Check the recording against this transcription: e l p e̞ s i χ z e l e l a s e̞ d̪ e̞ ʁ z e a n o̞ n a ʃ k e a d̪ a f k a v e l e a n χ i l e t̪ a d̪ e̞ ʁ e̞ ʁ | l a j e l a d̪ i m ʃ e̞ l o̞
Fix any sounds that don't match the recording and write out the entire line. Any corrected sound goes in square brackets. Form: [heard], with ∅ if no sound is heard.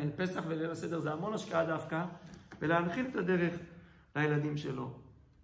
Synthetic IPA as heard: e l p e̞ s [a] χ [v] e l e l a s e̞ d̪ e̞ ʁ z e a [m] o̞ n a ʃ k [a] a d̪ a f k a v e l e a n χ i l e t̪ a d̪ e̞ ʁ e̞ [χ] | l a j e l a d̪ i m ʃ e̞ l o̞